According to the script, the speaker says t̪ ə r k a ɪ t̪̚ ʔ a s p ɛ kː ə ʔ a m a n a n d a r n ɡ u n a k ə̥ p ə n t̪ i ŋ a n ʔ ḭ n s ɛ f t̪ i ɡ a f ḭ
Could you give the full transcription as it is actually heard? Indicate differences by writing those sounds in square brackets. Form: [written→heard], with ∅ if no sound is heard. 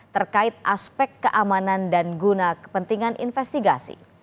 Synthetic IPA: t̪ ə r k a ɪ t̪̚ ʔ a s p ɛ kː ə ʔ a m a n a n d a [r→∅] n ɡ u n a k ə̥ p ə n t̪ i ŋ a n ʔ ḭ n [s→f] ɛ [f→s] t̪ i ɡ a [f→s] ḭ

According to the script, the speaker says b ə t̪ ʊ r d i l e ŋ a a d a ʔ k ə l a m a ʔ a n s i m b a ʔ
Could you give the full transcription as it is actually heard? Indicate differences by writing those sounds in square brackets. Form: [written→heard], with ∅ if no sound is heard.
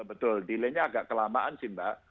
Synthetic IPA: b ə t̪ ʊ [r→l] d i l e [ŋ→ɲ] a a [d→ɡ] a ʔ k ə l a m a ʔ a n s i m b a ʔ

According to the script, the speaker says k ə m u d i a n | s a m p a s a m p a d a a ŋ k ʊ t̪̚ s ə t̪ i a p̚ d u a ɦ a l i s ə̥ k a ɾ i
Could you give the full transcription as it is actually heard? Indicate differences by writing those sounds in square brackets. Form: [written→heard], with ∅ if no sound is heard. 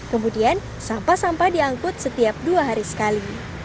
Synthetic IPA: k ə m u d i a n | s a m p a s a m p a d [a→i] a ŋ k ʊ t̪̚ s ə t̪ i a p̚ d u a ɦ a [l→ɾ] i s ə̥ k a [ɾ→l] i

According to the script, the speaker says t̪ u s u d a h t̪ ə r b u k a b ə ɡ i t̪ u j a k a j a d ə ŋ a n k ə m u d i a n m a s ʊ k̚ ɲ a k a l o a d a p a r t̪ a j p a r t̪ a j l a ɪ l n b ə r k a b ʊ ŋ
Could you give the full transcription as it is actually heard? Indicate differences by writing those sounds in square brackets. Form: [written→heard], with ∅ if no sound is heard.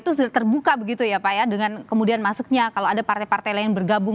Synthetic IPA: t̪ u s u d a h t̪ ə r b u k a b ə ɡ i t̪ u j a [k→p] a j a d ə ŋ a n k ə m u d i a n m a s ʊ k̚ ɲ a k a l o a d a p a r t̪ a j p a r t̪ a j l a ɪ [l→∅] n b ə r [k→ɡ] a b ʊ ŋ

